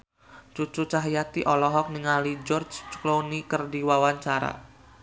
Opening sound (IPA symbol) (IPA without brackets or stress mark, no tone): t͡ʃ